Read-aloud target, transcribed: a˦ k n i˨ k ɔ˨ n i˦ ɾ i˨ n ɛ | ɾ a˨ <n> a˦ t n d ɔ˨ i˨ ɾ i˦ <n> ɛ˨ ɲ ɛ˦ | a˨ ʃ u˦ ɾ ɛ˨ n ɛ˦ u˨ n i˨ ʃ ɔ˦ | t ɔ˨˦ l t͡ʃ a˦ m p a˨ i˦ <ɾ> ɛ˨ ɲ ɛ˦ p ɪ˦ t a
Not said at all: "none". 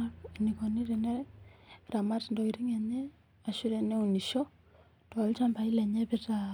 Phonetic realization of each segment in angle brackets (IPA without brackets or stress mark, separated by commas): m, ŋ, l